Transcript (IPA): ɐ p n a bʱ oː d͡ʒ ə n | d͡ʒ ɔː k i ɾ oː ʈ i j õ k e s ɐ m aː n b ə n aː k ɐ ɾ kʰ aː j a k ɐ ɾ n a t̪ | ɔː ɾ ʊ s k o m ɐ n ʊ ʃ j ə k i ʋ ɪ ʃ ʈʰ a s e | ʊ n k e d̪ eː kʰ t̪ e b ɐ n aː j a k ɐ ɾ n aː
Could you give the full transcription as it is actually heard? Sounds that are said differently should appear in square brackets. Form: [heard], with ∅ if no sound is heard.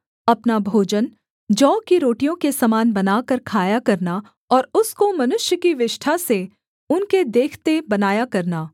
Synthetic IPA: ɐ p n a bʱ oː d͡ʒ ə n | d͡ʒ ɔː k i ɾ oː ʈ i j õ k e s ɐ m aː n b [ɐ] n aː k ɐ ɾ kʰ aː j a k ɐ ɾ n a [∅] | ɔː ɾ ʊ s k o m ɐ n ʊ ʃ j ə k i ʋ ɪ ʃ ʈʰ a s e | ʊ n k e d̪ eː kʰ t̪ e b ɐ n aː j a k ɐ ɾ n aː